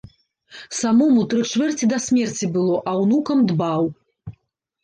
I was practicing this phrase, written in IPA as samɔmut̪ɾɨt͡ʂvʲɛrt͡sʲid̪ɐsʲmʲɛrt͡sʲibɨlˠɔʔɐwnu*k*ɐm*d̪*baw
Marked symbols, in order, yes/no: yes, yes

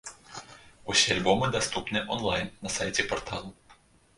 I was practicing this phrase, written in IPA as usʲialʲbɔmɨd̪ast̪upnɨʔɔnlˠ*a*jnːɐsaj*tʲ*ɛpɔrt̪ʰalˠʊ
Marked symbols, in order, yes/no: yes, yes

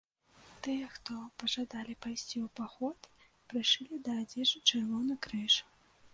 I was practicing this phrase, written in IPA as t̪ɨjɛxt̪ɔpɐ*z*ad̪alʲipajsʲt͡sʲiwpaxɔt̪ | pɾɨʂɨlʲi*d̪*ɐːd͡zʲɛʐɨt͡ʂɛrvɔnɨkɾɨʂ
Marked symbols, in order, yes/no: no, yes

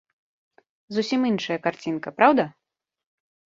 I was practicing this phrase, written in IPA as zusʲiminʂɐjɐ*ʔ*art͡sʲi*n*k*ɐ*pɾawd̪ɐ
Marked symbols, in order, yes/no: no, yes, yes

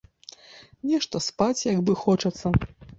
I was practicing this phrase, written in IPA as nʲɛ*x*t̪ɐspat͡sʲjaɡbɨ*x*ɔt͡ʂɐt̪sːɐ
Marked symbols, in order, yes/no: no, yes

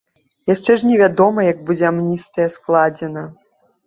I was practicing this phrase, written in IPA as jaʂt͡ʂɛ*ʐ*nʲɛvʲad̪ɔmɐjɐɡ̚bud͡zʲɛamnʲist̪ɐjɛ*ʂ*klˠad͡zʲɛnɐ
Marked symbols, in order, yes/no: yes, no

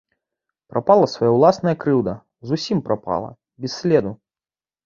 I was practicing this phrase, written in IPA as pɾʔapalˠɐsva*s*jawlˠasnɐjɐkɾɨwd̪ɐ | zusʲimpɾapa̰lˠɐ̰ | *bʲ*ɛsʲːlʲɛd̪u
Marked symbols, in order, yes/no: no, yes

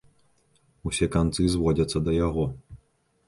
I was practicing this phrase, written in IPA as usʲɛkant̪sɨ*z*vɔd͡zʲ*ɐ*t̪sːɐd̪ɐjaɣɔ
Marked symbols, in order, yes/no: yes, yes

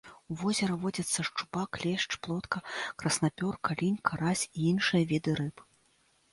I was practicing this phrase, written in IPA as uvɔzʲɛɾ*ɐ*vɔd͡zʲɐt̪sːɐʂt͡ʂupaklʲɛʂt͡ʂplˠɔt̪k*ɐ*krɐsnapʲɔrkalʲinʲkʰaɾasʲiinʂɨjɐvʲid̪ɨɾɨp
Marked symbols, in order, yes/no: yes, yes

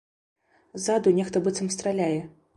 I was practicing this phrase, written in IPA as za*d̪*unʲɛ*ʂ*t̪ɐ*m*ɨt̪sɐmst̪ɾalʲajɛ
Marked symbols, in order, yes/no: yes, no, no

